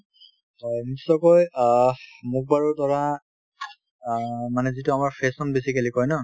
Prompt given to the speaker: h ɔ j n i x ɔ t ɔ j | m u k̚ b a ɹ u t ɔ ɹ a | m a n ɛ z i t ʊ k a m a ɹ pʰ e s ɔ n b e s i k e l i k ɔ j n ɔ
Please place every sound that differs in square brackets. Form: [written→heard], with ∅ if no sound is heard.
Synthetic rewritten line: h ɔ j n i [x→s] ɔ [t→k] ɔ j | m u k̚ b a ɹ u t ɔ ɹ a | m a n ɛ z i t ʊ [k→∅] a m a ɹ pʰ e s ɔ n b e s i k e l i k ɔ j n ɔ

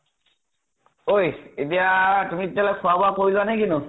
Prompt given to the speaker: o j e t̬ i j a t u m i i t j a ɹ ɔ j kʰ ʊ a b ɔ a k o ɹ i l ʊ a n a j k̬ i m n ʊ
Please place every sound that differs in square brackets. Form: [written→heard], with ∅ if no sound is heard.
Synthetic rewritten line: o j e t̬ i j a t u m i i t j a [ɹ→l] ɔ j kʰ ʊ a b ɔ a k o ɹ i l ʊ a n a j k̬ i [m→∅] n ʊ

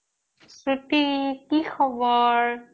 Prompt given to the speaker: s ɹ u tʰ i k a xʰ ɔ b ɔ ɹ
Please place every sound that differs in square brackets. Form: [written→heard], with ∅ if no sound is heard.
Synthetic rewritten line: s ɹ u [tʰ→t] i k [a→i] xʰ ɔ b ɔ ɹ

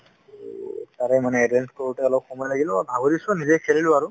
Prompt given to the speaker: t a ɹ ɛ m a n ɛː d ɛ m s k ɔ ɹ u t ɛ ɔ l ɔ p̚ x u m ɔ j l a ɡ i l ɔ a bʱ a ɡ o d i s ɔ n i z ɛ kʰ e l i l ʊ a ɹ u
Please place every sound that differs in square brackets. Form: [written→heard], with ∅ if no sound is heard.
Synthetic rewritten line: t a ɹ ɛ m a n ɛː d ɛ [m→n] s k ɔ ɹ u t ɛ ɔ l ɔ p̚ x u m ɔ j l a ɡ i l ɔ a bʱ a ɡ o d i s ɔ n i z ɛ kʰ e l i l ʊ a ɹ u

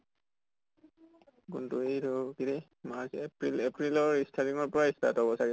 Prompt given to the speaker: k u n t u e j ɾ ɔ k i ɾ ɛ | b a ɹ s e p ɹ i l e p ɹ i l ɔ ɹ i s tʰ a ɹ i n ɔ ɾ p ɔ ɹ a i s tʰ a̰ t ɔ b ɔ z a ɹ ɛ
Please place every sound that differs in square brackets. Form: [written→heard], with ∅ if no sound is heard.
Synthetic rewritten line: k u n t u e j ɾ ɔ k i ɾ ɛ | [b→m] a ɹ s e p ɹ i l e p ɹ i l ɔ ɹ i s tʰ a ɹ i [n→ŋ] ɔ [ɾ→ɹ] p ɔ ɹ a i s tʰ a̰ t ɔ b ɔ [z→s] a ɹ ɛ

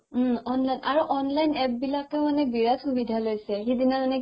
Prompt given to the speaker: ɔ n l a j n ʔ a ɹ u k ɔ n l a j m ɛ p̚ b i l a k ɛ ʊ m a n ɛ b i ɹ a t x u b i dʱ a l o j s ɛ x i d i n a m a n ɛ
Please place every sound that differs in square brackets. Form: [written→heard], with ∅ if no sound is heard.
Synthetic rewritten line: ɔ n l a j n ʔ a ɹ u [k→ʔ] ɔ n l a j [m→n] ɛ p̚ b i l a k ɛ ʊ m a n ɛ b i ɹ a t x u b i dʱ a l o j s ɛ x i d i n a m a n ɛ

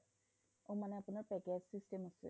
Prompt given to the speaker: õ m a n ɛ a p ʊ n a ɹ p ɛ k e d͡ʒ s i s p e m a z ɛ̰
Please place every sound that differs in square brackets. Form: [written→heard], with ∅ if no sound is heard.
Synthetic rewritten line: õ m a n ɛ a p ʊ n a ɹ p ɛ k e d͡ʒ s i s [p→t] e m a [z→s] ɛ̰

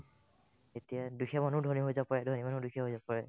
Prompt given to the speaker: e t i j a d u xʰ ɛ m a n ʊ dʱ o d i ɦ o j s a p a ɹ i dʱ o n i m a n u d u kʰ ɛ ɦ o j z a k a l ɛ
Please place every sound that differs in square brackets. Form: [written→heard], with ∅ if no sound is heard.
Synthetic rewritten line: e t i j a d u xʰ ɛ m a n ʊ dʱ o [d→n] i ɦ o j [s→z] a p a ɹ [i→ɛ] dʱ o n i m a n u d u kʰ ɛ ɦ o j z a [k→p] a [l→ɹ] ɛ

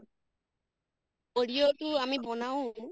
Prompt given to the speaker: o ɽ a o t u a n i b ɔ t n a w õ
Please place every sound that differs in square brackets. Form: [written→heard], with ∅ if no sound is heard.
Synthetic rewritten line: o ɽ [a→i] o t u a [n→m] i b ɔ [t→∅] n a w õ

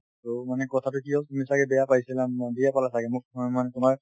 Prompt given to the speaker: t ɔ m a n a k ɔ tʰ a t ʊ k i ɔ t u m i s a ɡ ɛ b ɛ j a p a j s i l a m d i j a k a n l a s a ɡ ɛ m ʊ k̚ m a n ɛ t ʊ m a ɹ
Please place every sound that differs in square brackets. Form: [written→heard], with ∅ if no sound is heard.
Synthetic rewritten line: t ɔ m a n [a→ɛ] k ɔ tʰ a t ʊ k i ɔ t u m i s a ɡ ɛ b ɛ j a p a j s i l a m d i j a [k→p] a [n→∅] l a s a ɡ ɛ m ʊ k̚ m a n ɛ t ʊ m a ɹ

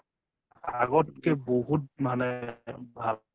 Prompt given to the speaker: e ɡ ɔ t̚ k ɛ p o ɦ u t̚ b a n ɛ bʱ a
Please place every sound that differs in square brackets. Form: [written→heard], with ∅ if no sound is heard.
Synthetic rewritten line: [e→a] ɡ ɔ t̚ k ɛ [p→b] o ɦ u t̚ [b→m] a n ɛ bʱ a

